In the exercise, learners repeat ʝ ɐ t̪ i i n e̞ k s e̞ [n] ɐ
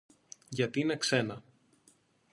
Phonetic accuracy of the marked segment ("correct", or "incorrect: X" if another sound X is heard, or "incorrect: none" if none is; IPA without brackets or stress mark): correct